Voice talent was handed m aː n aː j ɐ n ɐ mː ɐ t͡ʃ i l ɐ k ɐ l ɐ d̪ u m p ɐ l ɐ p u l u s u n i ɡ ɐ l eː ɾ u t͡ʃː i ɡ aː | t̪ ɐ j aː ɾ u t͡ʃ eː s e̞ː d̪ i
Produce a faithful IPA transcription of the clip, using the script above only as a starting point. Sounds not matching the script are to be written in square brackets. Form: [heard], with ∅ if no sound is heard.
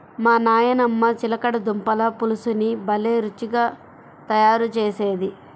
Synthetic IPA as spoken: m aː n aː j ɐ n ɐ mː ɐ t͡ʃ i l ɐ k ɐ [ɽ] ɐ d̪ u m p ɐ l ɐ p u l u s u n i [b] ɐ l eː ɾ u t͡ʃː i ɡ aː | t̪ ɐ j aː ɾ u t͡ʃ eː s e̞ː d̪ i